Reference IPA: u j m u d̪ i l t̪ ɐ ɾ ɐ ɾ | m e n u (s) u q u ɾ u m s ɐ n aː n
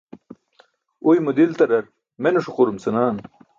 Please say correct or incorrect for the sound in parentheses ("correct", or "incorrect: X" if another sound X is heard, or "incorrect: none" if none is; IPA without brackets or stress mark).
incorrect: ʂ